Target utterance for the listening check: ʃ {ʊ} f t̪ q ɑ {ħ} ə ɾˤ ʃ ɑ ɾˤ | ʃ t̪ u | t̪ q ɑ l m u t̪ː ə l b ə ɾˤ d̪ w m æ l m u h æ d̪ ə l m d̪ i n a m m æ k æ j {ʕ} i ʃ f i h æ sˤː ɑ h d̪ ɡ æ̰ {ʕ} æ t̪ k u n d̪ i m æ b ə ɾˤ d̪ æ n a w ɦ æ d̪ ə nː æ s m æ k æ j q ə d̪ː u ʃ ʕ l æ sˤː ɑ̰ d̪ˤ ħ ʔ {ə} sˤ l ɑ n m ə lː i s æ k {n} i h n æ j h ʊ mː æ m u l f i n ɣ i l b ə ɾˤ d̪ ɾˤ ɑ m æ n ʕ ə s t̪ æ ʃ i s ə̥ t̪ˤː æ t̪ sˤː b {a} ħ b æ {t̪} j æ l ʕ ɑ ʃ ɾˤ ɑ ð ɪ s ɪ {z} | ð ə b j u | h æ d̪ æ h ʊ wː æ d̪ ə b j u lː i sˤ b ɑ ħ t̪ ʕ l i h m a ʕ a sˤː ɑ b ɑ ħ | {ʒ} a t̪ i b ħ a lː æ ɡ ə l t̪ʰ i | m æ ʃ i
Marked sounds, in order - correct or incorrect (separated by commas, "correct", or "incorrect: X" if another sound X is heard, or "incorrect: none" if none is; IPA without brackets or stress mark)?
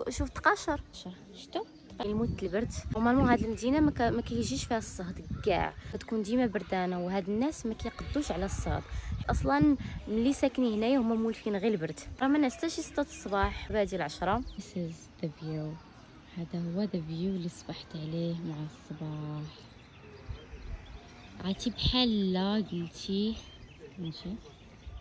incorrect: u, incorrect: ʃ, incorrect: ʒ, correct, incorrect: ɑ, correct, incorrect: ɑ, incorrect: d̪, correct, incorrect: ʕ